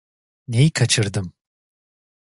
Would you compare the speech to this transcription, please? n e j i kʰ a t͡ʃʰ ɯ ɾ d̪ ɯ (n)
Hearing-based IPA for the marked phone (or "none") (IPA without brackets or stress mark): m